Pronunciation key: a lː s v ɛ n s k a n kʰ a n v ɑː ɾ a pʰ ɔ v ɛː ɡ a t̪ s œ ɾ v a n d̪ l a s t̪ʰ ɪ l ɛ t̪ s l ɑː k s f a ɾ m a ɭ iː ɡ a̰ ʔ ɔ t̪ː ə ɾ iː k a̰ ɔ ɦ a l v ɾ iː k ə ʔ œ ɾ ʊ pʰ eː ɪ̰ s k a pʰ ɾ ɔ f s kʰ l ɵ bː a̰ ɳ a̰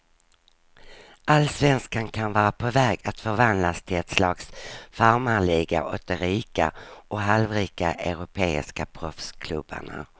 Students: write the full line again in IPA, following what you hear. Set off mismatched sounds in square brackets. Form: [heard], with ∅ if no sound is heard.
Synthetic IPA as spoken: a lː s v ɛ n s k a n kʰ a n v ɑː ɾ a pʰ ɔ v ɛː ɡ a t̪ [f] œ ɾ v a n d̪ l a s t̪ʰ ɪ l ɛ t̪ s l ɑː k s f a ɾ m a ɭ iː ɡ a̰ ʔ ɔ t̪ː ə ɾ iː k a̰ ɔ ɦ a l v ɾ iː k [a] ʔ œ ɾ ʊ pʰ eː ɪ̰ s k a pʰ ɾ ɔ f s kʰ l ɵ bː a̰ ɳ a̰